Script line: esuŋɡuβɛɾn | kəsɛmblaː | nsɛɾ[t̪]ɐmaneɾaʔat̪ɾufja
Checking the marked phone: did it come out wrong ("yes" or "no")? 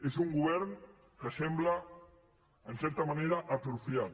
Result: no